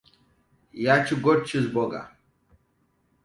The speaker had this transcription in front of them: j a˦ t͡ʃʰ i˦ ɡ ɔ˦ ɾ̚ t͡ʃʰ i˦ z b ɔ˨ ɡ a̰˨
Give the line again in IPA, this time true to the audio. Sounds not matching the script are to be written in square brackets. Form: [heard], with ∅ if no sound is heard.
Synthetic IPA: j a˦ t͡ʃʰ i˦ ɡ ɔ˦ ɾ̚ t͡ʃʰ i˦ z b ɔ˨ ɡ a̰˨